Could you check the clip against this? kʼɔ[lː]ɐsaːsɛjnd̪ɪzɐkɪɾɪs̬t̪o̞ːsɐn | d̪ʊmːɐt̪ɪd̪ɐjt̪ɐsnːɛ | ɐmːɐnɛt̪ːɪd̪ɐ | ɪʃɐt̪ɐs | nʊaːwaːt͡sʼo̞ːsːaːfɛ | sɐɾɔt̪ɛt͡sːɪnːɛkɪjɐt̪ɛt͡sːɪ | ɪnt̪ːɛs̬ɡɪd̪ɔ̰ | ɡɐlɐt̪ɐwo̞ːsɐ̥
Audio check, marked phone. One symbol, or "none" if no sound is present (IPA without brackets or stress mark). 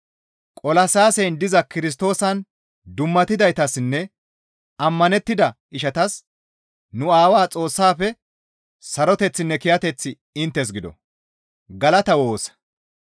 l